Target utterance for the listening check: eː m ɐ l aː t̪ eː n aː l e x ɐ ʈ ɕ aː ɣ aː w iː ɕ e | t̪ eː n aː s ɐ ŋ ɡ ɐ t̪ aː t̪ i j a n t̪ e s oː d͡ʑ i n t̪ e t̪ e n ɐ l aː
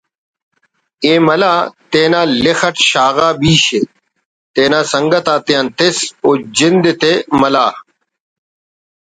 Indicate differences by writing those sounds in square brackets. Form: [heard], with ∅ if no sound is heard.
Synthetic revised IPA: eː m ɐ l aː t̪ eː n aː l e x ɐ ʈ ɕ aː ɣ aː [b] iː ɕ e | t̪ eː n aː s ɐ ŋ ɡ ɐ t̪ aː t̪ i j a n t̪ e s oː d͡ʑ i n [d̪] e t̪ e [m] ɐ l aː